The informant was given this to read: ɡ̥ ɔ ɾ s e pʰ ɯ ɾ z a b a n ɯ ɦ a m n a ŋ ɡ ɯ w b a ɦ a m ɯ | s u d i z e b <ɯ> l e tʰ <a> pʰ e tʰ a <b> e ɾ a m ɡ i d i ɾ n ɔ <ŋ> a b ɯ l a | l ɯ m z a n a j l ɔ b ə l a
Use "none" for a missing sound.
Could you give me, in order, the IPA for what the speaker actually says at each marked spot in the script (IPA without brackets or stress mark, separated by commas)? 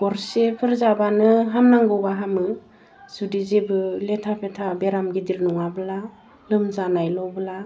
ɯ, a, b, ŋ